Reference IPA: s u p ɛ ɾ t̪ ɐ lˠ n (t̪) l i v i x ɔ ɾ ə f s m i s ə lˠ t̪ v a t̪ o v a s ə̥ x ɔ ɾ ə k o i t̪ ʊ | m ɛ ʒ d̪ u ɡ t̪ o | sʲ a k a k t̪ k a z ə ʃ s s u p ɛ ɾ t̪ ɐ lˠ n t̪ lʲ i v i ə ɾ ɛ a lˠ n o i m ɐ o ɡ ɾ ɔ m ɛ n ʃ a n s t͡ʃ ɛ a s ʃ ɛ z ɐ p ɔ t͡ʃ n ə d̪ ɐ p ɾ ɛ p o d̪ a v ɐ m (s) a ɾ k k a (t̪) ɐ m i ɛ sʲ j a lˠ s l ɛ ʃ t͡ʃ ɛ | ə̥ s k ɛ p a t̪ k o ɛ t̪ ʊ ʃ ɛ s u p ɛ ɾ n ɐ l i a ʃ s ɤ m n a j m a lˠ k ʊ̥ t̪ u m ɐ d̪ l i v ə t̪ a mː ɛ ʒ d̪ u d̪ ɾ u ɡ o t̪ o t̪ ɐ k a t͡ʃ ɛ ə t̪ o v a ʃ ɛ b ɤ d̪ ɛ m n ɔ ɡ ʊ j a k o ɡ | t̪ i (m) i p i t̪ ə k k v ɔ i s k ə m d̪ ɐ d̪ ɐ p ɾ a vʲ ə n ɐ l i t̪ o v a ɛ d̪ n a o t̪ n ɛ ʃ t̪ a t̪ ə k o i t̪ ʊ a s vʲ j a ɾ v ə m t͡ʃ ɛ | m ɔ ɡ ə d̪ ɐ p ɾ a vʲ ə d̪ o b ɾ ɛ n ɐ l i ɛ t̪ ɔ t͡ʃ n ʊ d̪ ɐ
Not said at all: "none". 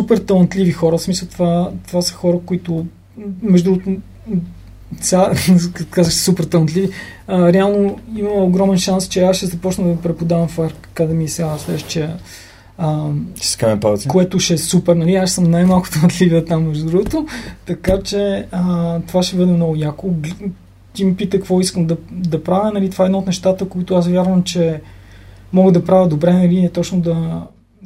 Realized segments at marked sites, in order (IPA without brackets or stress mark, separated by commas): t̪, f, d̪, m